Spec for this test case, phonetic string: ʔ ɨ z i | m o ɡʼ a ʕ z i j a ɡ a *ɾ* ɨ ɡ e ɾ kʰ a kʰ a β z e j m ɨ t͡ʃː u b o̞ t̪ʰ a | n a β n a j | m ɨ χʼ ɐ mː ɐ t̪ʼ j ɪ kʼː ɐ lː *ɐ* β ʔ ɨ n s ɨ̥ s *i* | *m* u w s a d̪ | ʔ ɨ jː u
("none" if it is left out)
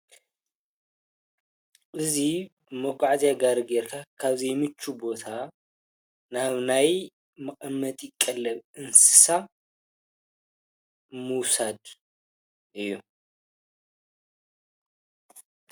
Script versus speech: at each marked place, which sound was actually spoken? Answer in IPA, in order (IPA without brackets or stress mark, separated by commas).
ɾ, ɐ, a, m